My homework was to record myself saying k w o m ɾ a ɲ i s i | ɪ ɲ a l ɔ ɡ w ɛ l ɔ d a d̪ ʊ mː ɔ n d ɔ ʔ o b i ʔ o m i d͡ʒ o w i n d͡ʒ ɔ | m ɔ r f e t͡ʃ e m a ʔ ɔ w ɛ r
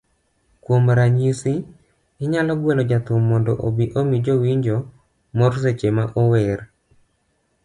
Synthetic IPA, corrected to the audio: k w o m ɾ a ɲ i s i | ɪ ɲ a l ɔ ɡ w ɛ l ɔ d͡ʒ a t̪ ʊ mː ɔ n d ɔ ʔ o b i ʔ o m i d͡ʒ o w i ɲ d͡ʒ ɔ | m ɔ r s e t͡ʃ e m a ʔ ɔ w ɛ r